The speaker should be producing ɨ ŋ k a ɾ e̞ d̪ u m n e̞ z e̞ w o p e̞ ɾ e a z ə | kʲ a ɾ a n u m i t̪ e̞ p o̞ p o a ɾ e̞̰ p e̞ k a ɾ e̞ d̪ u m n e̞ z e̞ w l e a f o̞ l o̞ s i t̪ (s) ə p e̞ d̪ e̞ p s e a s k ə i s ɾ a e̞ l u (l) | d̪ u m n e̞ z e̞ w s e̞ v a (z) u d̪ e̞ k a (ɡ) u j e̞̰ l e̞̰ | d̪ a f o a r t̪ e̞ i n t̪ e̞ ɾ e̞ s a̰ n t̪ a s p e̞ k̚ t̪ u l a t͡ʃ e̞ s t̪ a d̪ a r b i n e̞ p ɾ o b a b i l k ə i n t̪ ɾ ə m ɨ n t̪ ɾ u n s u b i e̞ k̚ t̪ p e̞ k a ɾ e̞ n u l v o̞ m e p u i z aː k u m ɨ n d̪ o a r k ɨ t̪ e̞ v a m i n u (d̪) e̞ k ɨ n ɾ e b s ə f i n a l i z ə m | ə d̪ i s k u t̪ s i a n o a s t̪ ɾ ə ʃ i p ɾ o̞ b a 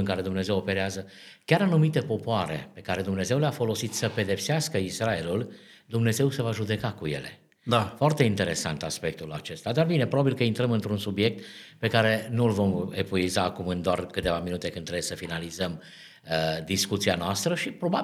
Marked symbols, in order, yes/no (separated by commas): yes, yes, no, no, no